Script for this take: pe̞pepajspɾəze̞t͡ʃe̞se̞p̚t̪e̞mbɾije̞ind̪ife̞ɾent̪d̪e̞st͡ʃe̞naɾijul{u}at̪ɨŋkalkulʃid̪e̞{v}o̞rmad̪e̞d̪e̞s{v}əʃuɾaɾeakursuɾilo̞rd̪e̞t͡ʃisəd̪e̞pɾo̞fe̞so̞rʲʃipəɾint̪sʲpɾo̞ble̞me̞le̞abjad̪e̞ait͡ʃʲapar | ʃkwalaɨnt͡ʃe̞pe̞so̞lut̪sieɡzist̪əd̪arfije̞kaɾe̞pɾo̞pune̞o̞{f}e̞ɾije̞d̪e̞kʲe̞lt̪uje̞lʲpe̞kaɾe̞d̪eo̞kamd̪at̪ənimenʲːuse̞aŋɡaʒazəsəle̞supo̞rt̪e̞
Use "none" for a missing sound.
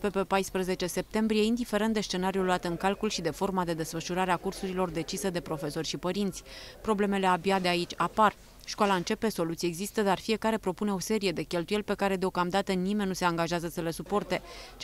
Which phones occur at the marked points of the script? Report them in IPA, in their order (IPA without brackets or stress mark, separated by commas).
u, f, f, s